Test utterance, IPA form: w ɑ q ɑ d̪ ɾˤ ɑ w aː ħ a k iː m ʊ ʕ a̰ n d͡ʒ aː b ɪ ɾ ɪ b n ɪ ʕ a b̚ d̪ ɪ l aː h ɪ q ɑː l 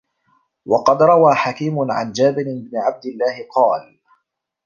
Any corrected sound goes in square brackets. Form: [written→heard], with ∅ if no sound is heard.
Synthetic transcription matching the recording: w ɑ q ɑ d̪ ɾˤ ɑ w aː ħ a k iː m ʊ ʕ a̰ n d͡ʒ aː b ɪ ɾ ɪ b n ɪ ʕ a b̚ d̪ ɪ [l→lː] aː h ɪ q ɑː l